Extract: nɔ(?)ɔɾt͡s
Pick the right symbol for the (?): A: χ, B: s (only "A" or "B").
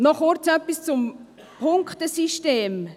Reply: A